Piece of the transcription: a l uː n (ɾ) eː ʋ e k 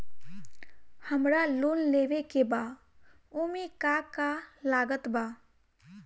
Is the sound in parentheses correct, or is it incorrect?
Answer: incorrect